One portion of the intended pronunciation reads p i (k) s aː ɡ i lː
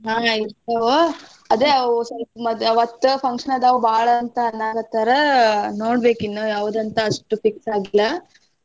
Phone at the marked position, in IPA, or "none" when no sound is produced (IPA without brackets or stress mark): k